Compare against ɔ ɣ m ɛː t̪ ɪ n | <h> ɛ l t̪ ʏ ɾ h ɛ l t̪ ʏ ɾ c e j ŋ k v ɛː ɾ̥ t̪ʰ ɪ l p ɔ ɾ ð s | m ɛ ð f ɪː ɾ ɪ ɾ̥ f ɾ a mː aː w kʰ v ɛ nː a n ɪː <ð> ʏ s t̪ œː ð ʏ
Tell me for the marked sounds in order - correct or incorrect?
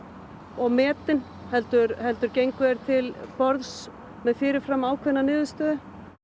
correct, correct

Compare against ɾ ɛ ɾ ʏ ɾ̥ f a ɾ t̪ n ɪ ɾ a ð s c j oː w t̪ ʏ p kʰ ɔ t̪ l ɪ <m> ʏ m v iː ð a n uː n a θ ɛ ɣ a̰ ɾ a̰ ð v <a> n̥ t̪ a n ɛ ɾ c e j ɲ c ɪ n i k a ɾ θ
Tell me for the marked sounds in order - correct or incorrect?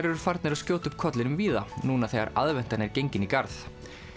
incorrect, incorrect

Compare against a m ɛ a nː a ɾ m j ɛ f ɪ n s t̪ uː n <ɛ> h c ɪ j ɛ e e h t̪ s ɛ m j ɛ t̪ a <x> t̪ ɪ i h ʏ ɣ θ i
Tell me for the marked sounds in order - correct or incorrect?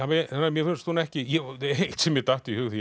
correct, incorrect

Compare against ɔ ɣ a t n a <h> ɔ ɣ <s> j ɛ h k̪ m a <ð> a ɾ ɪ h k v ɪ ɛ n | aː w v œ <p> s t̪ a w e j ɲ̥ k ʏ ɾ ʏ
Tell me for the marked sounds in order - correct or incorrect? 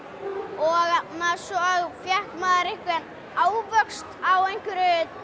incorrect, incorrect, correct, incorrect

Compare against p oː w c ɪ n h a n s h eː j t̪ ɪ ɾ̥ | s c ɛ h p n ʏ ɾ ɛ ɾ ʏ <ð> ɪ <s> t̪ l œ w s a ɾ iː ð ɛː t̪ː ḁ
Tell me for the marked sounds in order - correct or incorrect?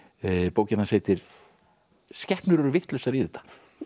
incorrect, incorrect

